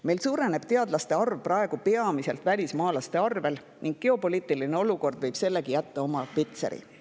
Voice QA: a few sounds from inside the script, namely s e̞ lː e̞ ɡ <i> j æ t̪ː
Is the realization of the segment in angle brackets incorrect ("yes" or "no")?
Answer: no